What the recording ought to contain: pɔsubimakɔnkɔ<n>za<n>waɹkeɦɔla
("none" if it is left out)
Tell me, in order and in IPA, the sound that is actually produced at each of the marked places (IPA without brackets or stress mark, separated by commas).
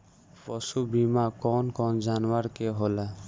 n, n